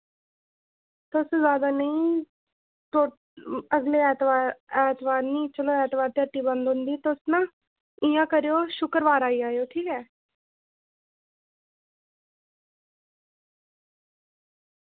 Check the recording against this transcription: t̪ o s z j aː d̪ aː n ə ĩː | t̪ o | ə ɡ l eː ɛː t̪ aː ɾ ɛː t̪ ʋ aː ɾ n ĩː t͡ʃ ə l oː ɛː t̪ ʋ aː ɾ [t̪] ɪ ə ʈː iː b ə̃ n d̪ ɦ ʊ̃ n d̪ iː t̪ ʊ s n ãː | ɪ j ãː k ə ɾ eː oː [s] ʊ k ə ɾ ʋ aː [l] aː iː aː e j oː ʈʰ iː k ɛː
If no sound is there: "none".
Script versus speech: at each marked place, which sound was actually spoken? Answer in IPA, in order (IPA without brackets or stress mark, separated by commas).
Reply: t̪, ʃ, ɾ